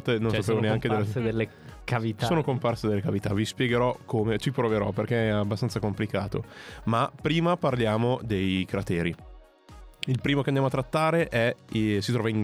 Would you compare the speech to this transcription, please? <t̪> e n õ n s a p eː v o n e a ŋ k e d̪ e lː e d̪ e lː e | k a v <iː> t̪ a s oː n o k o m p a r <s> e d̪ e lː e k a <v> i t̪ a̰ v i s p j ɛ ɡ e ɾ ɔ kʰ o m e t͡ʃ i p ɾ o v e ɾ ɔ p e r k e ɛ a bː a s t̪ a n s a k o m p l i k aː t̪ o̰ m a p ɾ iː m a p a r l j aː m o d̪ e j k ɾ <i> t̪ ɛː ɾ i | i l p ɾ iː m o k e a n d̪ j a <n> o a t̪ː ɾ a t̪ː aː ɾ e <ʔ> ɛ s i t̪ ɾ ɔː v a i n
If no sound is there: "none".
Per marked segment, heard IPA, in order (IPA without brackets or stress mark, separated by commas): t̪, i, s, v, a, m, ʔ